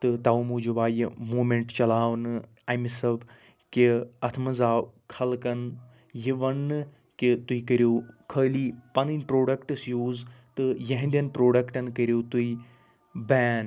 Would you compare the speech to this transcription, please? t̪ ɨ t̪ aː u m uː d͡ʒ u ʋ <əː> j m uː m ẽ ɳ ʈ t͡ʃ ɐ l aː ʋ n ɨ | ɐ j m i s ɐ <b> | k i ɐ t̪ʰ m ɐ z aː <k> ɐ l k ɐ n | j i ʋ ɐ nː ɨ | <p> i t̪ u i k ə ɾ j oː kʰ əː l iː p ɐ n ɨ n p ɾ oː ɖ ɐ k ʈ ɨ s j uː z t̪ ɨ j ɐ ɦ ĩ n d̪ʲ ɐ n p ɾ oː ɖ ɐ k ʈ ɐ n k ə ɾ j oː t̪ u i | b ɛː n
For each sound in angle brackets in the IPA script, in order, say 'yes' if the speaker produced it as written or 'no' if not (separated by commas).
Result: no, yes, no, no